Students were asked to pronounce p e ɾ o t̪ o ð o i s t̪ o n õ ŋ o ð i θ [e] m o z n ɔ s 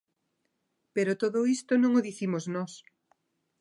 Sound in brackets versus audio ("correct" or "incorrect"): incorrect